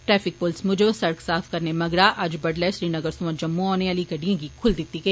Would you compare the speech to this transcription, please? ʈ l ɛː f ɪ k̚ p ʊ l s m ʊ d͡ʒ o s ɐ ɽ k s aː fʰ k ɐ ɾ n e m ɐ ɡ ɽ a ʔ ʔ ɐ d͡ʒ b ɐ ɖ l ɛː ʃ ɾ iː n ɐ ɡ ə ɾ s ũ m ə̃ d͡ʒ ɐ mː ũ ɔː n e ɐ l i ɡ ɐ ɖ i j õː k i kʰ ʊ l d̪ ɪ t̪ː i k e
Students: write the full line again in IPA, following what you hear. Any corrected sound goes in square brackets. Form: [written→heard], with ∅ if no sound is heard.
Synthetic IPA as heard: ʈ [l→ɾ] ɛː f ɪ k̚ p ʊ l s m ʊ d͡ʒ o s ɐ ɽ k s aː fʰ k ɐ ɾ n e m ɐ ɡ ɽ a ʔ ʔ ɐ d͡ʒ b ɐ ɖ l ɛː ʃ ɾ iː n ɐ ɡ ə ɾ s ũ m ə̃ d͡ʒ ɐ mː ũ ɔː n e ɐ l i ɡ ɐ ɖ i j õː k i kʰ ʊ l d̪ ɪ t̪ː i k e

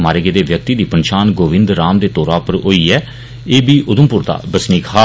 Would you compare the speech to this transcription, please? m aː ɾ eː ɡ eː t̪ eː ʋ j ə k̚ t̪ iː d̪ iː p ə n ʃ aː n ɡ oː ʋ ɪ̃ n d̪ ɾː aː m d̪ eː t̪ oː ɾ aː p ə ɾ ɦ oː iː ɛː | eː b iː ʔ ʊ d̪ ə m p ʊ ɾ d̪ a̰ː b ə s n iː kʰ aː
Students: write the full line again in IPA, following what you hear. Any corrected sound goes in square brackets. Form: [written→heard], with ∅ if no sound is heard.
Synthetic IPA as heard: m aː ɾ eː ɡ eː [t̪→d̪] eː ʋ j ə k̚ t̪ iː d̪ iː p ə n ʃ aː n ɡ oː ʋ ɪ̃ n d̪ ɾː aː m d̪ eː t̪ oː ɾ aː p ə ɾ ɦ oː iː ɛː | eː b iː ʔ ʊ d̪ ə m p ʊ ɾ d̪ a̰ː b ə s n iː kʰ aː

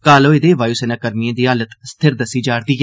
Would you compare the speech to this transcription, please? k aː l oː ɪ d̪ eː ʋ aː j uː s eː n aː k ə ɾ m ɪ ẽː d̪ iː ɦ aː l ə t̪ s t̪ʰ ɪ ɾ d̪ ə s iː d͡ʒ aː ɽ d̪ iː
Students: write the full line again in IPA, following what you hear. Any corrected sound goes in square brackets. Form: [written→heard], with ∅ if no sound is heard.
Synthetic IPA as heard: k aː l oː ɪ d̪ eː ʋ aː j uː s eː n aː k ə ɾ m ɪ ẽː d̪ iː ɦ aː l ə t̪ s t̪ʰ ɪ ɾ d̪ ə s iː d͡ʒ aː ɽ d̪ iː

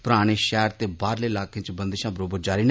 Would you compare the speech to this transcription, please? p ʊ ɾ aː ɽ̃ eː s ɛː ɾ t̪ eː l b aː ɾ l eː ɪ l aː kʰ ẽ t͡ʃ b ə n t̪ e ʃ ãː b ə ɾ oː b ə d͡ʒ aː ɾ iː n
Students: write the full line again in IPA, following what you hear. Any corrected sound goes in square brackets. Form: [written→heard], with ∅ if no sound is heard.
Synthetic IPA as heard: p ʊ ɾ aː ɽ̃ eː [s→ʃ] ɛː ɾ t̪ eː [l→∅] b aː ɾ l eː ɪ l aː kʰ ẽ t͡ʃ b ə n [t̪→d̪] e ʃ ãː b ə ɾ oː b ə d͡ʒ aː ɾ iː n

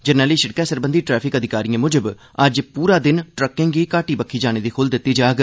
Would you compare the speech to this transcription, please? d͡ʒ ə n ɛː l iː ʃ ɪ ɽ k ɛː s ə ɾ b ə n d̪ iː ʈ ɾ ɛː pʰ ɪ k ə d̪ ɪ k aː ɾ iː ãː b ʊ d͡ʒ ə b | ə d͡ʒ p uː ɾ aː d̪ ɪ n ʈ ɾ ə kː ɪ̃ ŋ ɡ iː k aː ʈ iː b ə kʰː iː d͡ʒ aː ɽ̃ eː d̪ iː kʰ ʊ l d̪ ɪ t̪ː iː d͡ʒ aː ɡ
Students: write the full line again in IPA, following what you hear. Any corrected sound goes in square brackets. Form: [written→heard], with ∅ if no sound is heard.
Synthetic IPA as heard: d͡ʒ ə n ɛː l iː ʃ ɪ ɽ k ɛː s ə ɾ b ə n d̪ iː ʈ ɾ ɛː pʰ ɪ k ə d̪ ɪ k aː ɾ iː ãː [b→m] ʊ d͡ʒ ə b | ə d͡ʒ p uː ɾ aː d̪ ɪ n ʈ ɾ ə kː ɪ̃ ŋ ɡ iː k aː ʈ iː b ə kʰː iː d͡ʒ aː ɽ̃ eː d̪ iː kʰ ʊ l d̪ ɪ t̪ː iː d͡ʒ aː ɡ

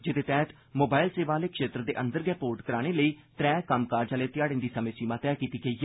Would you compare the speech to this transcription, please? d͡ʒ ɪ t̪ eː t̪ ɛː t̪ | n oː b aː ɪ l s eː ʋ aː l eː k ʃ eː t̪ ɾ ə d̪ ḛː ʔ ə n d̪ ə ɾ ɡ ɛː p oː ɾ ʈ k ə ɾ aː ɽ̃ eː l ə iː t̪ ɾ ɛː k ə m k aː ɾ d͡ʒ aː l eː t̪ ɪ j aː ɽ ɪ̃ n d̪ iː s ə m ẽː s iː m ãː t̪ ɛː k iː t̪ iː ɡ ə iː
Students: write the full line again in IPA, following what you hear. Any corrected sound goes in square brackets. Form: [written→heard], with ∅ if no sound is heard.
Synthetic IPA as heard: d͡ʒ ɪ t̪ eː t̪ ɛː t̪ | [n→m] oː b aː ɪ l s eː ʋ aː l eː k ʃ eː t̪ ɾ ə d̪ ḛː ʔ ə n d̪ ə ɾ ɡ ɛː p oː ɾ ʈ k ə ɾ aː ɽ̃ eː l ə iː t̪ ɾ ɛː k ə m k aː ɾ d͡ʒ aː l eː t̪ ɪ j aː ɽ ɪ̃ n d̪ iː s ə m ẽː s iː m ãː t̪ ɛː k iː t̪ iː ɡ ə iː

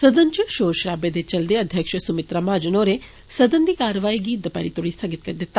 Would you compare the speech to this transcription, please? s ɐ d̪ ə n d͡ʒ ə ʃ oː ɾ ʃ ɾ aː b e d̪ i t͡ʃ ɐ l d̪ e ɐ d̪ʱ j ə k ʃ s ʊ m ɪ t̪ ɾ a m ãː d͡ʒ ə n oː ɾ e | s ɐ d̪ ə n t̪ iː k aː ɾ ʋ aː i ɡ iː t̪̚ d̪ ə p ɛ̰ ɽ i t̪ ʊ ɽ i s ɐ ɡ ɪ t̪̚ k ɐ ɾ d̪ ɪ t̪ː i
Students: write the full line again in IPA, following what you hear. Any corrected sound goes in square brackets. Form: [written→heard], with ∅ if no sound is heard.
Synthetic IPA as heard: s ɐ d̪ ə n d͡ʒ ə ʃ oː ɾ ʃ ɾ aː b e d̪ [i→e] t͡ʃ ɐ l d̪ e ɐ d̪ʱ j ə k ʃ s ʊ m ɪ t̪ ɾ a m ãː d͡ʒ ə n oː ɾ e | s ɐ d̪ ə n [t̪→d̪] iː k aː ɾ ʋ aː i ɡ iː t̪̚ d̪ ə p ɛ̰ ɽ i t̪ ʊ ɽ i s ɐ ɡ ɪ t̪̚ k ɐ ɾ d̪ ɪ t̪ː [i→a]

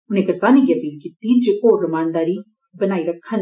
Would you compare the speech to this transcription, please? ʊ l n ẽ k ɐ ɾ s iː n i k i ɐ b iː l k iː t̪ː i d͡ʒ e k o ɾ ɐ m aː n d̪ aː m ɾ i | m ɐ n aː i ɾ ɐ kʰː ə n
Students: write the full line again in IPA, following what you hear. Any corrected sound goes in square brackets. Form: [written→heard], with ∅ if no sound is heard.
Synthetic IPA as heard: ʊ [l→∅] n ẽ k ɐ ɾ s [iː→aː] n i k i ɐ [b→p] iː l k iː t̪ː i d͡ʒ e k o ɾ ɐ m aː n d̪ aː [m→∅] ɾ i | [m→b] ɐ n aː i ɾ ɐ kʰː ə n

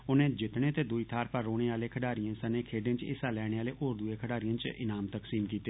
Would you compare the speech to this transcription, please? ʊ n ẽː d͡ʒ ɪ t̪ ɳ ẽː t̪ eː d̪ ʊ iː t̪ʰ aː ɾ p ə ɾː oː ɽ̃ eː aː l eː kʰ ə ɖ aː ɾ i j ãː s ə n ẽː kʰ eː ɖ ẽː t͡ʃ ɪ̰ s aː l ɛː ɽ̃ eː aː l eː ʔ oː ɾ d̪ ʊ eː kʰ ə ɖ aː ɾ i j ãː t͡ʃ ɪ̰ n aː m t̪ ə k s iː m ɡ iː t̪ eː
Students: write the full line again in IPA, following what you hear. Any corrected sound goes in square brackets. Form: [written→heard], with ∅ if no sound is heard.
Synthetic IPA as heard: ʊ n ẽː d͡ʒ ɪ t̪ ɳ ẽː t̪ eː d̪ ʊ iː t̪ʰ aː ɾ p ə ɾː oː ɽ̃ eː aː l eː kʰ ə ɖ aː ɾ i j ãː s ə n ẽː kʰ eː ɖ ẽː t͡ʃ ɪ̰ s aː l ɛː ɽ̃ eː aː l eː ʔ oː ɾ d̪ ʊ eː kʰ ə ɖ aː ɾ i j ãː t͡ʃ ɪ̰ n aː m t̪ ə k s iː m [ɡ→k] iː t̪ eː

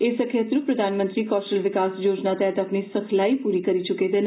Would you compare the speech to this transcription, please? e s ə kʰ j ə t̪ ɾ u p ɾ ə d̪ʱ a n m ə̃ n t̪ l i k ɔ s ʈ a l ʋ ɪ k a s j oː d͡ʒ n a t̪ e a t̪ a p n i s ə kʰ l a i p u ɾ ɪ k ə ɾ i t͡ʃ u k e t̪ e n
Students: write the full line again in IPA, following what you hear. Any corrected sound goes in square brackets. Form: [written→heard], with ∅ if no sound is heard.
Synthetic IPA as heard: e s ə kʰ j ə t̪ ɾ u p ɾ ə d̪ʱ a n m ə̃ n t̪ [l→ɾ] i k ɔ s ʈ [a→ə] l ʋ ɪ k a s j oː d͡ʒ n a t̪ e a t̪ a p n i s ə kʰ l a i p u ɾ [ɪ→i] k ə ɾ i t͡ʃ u k e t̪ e n

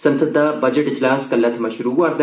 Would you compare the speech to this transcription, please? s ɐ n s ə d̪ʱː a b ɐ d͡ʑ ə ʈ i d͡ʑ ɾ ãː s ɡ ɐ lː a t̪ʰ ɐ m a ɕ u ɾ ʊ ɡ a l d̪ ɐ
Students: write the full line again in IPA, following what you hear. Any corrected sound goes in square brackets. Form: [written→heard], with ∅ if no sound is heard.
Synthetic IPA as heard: s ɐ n s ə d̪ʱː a b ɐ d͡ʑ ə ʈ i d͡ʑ [ɾ→l] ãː s [ɡ→k] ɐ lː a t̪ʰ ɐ m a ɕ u ɾ [ʊ→u] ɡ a [l→ɾ] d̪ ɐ

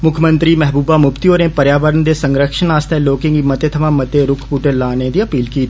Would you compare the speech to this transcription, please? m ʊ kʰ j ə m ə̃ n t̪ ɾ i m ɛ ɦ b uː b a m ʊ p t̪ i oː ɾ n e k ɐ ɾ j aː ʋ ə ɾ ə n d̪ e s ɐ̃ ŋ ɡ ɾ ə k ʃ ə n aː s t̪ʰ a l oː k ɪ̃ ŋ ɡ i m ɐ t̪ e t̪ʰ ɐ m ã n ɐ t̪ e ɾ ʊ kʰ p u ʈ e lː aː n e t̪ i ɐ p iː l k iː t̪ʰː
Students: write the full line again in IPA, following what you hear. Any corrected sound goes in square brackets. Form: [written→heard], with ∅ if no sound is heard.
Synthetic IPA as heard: m ʊ kʰ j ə m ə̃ n t̪ ɾ i m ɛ ɦ b uː b a m ʊ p t̪ i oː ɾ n e [k→p] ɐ ɾ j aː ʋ ə ɾ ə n d̪ e s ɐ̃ ŋ ɡ ɾ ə k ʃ ə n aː s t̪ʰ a l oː k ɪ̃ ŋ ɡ i m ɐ t̪ e t̪ʰ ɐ m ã [n→m] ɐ t̪ e ɾ ʊ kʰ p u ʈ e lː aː n e [t̪→d̪] i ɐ p iː l k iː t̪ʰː

